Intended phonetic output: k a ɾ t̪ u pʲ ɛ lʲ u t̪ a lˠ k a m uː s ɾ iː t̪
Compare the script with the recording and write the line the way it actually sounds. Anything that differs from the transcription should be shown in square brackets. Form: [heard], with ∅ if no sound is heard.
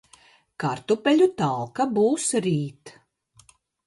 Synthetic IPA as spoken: k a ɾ t̪ u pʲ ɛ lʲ u t̪ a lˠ k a [b] uː s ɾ iː t̪